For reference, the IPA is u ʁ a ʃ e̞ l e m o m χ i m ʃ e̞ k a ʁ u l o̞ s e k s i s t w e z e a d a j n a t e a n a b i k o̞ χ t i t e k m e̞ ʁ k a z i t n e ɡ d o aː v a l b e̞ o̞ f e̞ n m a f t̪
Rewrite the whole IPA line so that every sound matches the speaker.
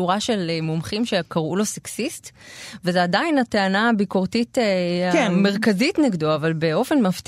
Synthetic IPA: u ʁ a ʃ e̞ l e m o m χ i m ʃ e̞ k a ʁ u l o̞ s e k s i s t v e z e a d a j n a t e a n a b i k o̞ ʁ t i t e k m e̞ ʁ k a z i t n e ɡ d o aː v a l b e̞ o̞ f e̞ n m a f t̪